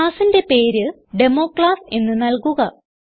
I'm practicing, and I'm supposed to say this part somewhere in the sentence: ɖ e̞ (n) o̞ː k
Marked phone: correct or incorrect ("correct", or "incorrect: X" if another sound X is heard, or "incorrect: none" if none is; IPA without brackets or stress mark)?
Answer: incorrect: m